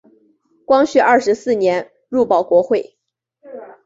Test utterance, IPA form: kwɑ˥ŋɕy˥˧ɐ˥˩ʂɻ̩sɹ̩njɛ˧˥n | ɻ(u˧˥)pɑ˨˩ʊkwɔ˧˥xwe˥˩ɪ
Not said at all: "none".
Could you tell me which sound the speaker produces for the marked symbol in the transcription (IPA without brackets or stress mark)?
u˥˩